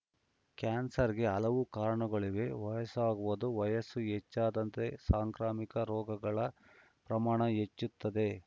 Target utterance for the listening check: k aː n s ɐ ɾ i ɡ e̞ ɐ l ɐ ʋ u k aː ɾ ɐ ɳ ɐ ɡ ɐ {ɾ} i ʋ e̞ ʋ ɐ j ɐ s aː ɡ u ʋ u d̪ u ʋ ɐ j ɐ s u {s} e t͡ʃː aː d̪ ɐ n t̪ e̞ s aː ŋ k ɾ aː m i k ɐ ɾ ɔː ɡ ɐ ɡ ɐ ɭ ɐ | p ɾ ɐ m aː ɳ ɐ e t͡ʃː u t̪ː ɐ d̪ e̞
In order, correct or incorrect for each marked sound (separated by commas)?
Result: incorrect, incorrect